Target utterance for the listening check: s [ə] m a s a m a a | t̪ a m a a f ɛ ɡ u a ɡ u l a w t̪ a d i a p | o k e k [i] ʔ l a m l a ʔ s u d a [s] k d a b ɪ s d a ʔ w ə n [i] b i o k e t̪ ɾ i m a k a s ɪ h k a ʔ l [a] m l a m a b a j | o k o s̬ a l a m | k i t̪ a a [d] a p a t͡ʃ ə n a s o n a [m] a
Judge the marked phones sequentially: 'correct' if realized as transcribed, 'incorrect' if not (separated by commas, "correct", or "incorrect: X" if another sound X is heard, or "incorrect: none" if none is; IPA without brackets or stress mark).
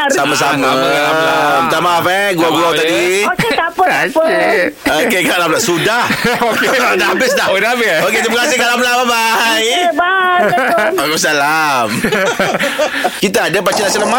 incorrect: a, incorrect: a, incorrect: h, incorrect: a, correct, correct, correct